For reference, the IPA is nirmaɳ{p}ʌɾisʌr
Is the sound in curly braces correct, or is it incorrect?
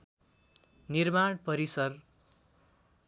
correct